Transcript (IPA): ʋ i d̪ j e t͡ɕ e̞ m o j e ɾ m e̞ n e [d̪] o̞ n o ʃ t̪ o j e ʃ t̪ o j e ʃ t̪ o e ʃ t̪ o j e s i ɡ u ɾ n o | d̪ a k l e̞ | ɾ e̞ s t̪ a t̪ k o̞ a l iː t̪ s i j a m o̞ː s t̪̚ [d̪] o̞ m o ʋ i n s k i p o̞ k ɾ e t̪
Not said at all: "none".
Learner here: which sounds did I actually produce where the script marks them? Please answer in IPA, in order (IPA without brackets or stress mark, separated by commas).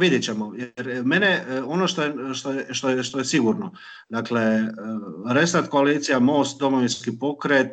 none, d̪